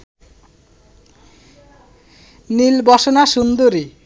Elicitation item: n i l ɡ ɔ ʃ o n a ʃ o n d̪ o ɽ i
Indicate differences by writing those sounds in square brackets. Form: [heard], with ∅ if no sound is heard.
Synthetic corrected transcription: n i l [b] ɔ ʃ o n a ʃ [u] n d̪ o [ɾ] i